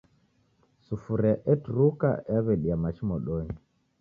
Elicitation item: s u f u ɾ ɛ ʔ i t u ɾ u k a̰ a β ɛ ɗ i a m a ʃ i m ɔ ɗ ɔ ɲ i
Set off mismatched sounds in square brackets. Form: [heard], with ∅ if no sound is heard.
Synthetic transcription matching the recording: s u f u ɾ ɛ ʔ [ɛ] t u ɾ u k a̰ a β ɛ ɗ i a m a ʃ i m ɔ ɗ ɔ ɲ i

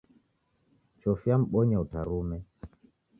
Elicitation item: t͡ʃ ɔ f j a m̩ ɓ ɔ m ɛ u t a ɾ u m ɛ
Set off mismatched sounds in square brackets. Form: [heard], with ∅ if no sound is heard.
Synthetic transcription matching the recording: t͡ʃ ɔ f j a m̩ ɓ ɔ [ɲ] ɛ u t a ɾ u m ɛ

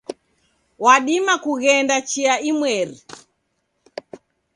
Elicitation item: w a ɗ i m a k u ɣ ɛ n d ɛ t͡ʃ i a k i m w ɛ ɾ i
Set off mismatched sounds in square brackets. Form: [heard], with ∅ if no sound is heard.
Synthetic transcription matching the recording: w a ɗ i m a k u ɣ ɛ n d [a] t͡ʃ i a [∅] i m w ɛ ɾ i

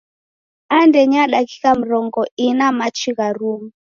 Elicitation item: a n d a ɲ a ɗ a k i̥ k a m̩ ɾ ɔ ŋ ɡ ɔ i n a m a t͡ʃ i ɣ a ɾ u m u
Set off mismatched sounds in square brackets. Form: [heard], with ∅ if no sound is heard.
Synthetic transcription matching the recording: a n d [ɛ] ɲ a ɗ a k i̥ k a m̩ ɾ ɔ ŋ ɡ ɔ i n a m a t͡ʃ i ɣ a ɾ u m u

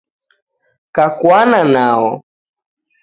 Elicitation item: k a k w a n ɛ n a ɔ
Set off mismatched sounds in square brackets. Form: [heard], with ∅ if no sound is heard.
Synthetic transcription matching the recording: k a k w a n [a] n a ɔ

